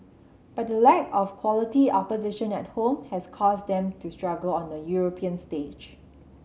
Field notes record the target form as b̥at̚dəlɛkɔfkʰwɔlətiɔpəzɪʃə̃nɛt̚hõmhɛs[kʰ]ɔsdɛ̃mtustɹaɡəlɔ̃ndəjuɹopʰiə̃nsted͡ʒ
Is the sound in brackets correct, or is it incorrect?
correct